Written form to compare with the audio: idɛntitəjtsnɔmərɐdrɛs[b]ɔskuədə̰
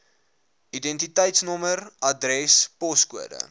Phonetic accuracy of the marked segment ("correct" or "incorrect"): incorrect